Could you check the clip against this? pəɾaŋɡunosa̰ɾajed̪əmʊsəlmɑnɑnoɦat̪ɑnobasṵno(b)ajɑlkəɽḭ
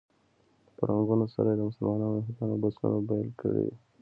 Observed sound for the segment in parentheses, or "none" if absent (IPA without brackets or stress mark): b